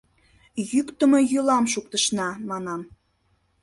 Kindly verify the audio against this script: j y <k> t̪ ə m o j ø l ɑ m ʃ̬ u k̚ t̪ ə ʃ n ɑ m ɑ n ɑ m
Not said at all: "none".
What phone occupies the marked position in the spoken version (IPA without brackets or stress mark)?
k